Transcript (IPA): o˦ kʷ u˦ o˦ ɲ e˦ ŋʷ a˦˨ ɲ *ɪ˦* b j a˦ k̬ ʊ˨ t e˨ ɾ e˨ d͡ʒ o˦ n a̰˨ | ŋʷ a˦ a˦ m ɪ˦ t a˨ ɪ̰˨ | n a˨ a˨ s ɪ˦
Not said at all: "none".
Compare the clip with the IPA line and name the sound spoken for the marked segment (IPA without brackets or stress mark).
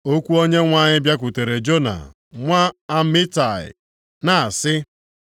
ɪ˦